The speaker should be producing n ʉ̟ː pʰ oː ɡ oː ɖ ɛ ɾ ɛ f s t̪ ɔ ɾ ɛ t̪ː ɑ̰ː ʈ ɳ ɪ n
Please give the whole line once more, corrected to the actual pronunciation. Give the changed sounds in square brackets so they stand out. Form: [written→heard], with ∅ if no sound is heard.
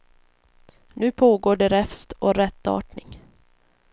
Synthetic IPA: n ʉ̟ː pʰ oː ɡ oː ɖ ɛ ɾ ɛ f s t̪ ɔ ɾ ɛ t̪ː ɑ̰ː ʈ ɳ ɪ [n→ŋ]